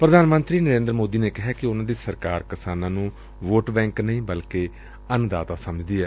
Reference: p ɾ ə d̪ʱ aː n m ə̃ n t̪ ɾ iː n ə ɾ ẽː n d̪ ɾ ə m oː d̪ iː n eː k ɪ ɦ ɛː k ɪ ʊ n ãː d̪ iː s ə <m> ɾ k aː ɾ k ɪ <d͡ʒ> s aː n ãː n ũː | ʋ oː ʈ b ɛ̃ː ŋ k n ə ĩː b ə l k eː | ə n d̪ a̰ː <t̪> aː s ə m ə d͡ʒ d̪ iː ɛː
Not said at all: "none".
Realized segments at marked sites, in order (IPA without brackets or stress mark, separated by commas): none, none, t̪